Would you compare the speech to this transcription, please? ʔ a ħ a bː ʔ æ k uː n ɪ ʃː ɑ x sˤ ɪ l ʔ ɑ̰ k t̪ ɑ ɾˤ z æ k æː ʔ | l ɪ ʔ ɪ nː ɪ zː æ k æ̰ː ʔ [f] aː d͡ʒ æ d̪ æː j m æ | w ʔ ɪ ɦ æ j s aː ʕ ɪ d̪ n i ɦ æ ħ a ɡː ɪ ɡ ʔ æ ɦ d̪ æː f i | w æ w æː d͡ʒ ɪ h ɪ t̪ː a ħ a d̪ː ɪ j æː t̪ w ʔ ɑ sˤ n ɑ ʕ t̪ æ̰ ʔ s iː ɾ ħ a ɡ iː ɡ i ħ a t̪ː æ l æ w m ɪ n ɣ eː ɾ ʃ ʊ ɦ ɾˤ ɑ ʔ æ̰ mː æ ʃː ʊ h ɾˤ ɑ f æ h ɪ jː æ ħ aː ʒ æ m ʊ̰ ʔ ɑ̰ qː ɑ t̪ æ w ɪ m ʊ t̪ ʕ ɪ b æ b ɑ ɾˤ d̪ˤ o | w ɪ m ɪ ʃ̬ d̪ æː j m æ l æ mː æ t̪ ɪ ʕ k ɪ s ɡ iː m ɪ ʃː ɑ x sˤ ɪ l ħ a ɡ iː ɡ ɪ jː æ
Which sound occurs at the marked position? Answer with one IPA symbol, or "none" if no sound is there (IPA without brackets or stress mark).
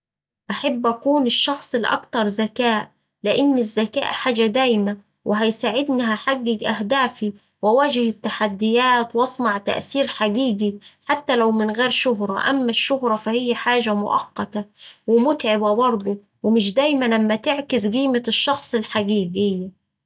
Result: ħ